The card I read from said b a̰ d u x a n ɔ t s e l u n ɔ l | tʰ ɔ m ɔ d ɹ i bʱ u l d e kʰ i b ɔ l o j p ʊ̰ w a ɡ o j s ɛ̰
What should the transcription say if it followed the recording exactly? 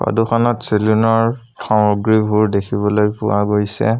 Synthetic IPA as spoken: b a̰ d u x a n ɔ t s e l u n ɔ ɹ | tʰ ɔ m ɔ ɡ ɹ i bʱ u ɹ d e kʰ i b ɔ l o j p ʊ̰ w a ɡ o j s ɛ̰